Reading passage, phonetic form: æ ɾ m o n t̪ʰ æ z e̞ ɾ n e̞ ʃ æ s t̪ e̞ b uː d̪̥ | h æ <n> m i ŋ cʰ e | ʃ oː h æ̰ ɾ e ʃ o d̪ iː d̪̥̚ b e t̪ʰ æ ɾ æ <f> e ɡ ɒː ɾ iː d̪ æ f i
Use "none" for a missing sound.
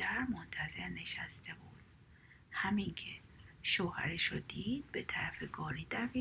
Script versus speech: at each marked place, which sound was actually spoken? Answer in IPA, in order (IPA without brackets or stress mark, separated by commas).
none, f